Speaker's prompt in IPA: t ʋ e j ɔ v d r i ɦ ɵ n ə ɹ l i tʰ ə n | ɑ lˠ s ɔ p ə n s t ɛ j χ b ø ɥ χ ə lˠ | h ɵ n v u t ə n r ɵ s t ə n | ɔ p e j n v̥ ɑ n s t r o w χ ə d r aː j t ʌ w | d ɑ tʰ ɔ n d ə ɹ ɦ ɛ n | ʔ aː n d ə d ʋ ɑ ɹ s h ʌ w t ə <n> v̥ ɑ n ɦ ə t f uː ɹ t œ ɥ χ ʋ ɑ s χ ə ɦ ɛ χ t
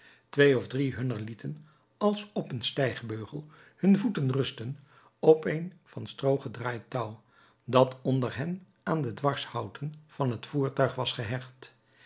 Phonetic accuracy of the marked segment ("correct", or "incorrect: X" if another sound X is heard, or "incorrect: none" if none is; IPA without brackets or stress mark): correct